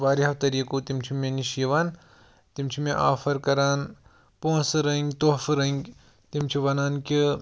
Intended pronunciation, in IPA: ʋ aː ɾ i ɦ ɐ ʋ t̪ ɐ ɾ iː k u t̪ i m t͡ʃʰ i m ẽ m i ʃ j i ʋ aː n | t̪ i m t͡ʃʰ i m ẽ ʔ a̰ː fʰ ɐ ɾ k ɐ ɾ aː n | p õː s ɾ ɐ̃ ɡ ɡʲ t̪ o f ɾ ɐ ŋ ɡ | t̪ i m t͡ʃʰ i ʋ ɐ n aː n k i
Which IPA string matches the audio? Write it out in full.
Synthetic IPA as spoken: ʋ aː ɾ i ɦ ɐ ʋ t̪ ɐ ɾ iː k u t̪ i m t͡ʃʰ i m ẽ n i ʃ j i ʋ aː n | t̪ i m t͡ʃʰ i m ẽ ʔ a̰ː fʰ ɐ ɾ k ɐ ɾ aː n | p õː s ɾ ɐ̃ ŋ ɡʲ t̪ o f ɾ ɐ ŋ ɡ | t̪ i m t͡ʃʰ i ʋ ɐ n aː n k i